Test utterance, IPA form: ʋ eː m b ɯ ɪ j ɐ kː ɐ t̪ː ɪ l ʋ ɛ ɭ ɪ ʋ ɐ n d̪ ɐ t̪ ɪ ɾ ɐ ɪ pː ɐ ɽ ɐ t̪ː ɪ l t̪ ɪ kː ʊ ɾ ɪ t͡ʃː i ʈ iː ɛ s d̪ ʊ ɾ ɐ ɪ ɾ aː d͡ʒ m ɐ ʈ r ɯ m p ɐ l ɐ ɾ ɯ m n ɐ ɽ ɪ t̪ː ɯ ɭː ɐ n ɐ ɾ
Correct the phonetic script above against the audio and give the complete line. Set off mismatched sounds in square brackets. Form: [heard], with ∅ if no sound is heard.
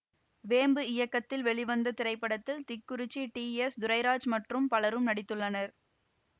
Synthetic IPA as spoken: ʋ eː m b ɯ ɪ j ɐ kː ɐ t̪ː ɪ l ʋ ɛ ɭ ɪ ʋ ɐ n d̪ ɐ t̪ ɪ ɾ ɐ ɪ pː ɐ ɽ ɐ t̪ː ɪ l t̪ ɪ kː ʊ ɾ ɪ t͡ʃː i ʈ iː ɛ s d̪ ʊ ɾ ɐ ɪ ɾ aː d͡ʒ m ɐ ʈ r ɯ m p ɐ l ɐ ɾ ɯ m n ɐ ɽ ɪ t̪ː ɯ ɭː ɐ n ɐ ɾ